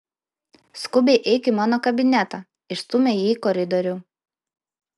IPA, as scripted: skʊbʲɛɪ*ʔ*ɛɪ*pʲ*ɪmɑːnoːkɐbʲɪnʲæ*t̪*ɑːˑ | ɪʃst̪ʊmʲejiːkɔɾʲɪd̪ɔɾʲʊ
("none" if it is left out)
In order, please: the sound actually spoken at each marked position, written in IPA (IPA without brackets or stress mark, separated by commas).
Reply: ʔ, kʲ, t̪